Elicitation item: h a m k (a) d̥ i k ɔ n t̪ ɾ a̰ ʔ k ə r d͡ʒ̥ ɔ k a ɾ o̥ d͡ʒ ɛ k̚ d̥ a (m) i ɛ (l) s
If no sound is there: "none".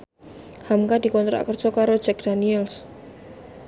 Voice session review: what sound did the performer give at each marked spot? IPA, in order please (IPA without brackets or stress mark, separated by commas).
a, n, l